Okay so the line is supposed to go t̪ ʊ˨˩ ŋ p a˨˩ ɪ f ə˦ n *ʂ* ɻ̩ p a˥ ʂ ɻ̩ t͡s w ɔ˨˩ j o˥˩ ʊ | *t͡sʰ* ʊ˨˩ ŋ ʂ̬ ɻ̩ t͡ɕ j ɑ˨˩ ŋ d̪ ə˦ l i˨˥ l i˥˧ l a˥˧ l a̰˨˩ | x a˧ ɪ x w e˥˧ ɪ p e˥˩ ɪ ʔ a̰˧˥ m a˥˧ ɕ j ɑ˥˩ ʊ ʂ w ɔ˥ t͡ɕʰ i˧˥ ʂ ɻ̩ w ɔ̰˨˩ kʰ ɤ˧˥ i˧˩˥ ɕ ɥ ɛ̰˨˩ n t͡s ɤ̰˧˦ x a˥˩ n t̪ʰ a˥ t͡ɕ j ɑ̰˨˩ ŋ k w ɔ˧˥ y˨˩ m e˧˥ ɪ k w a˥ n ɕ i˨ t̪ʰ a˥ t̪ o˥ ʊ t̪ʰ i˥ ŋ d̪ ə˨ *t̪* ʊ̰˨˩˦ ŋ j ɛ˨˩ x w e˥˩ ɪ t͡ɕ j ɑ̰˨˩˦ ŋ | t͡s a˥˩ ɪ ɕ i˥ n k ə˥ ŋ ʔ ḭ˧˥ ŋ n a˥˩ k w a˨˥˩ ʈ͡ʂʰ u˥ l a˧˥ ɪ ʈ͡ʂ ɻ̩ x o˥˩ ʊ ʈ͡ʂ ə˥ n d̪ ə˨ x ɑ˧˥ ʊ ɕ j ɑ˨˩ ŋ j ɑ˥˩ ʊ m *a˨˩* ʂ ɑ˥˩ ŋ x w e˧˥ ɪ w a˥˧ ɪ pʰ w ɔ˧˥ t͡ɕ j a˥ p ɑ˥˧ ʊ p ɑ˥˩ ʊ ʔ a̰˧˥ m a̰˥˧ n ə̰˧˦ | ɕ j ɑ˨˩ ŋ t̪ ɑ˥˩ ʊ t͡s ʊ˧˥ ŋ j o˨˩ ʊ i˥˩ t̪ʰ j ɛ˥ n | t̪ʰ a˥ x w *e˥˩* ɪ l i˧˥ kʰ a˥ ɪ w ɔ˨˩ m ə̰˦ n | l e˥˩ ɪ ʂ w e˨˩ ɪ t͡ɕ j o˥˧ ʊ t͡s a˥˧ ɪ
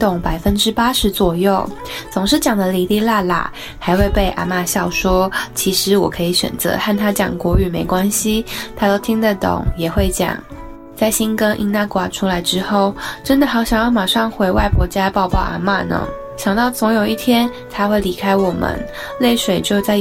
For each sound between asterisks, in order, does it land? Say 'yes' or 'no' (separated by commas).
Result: no, no, yes, yes, yes